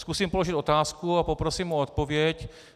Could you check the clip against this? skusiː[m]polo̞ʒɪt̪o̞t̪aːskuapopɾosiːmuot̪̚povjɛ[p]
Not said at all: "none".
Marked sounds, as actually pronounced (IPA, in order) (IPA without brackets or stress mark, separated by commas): m, c